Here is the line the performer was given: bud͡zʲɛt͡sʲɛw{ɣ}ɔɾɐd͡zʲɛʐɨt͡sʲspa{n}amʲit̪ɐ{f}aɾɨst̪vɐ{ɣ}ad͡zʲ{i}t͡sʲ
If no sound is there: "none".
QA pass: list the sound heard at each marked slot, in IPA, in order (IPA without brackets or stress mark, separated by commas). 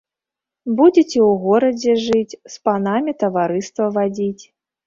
ɣ, n, v, v, i